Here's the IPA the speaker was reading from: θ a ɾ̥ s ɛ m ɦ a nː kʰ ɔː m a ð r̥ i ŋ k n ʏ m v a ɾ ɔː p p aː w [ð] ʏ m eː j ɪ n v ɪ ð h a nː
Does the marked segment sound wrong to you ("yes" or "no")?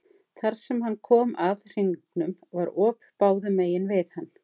no